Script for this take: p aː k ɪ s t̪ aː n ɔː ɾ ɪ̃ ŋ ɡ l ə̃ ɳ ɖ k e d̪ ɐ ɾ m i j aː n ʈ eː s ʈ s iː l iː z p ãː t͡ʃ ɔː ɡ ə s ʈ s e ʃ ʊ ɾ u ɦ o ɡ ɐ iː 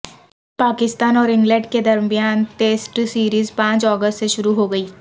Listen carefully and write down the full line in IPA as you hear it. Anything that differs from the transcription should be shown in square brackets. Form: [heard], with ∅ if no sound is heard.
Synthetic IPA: p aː k ɪ s t̪ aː n ɔː ɾ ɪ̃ ŋ ɡ l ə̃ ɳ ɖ k e d̪ ɐ ɾ m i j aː n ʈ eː s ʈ s iː [ɾ] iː z p ãː t͡ʃ ɔː ɡ ə s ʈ s e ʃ ʊ ɾ u ɦ o ɡ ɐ iː